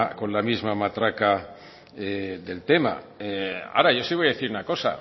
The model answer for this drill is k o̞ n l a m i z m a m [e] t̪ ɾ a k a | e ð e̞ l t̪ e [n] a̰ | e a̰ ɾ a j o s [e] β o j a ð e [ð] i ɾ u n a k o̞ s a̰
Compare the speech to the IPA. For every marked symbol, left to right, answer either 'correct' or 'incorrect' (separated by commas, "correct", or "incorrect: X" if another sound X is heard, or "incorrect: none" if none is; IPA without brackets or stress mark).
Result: incorrect: a, incorrect: m, incorrect: i, incorrect: θ